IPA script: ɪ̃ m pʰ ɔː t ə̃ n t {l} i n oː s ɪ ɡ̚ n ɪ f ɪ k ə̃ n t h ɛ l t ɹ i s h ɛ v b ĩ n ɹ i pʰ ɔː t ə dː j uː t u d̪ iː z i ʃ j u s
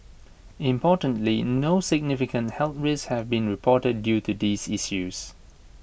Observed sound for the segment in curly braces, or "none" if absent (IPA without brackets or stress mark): l